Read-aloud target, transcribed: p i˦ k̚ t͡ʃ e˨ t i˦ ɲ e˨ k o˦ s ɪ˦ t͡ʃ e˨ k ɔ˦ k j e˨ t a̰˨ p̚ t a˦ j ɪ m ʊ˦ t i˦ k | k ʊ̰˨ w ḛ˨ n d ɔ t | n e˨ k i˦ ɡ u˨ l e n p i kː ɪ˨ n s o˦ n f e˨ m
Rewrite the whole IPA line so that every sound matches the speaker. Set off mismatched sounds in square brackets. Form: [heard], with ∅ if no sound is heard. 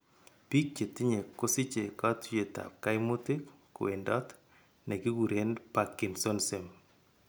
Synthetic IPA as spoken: p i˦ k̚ t͡ʃ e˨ t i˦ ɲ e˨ k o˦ s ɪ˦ t͡ʃ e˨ k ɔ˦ [t] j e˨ t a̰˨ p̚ [k] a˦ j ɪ m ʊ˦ t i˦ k | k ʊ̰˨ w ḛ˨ n d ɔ t | n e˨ k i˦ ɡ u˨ [ɾ] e n p [a] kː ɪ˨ n s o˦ n [s] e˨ m